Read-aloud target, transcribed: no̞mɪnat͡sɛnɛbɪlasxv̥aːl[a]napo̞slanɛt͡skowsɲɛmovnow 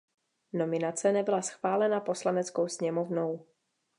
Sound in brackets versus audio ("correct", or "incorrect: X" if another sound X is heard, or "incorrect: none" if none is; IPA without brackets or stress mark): incorrect: ɛ